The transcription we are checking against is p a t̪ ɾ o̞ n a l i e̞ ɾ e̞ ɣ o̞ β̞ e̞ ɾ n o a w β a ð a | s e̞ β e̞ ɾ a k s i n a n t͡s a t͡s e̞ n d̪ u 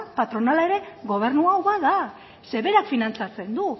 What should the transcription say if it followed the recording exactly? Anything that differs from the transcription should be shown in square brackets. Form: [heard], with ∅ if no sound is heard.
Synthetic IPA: p a t̪ ɾ o̞ n a l [a] e̞ ɾ e̞ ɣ o̞ β̞ e̞ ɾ n [u] a w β a ð a | s e̞ β e̞ ɾ a k [f] i n a n t͡s a t͡s e̞ n d̪ u